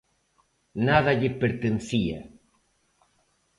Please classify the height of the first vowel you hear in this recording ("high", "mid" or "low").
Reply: low